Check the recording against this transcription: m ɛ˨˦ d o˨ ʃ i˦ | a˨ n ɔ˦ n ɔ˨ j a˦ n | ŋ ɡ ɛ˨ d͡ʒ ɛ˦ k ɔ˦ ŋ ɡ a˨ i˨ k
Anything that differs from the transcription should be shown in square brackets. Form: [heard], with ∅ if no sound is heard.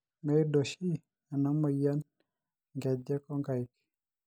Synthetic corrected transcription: m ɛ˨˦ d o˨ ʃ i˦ | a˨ n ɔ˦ [m] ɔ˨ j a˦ n | ŋ ɡ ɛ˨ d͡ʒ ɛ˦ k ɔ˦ ŋ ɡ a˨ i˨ k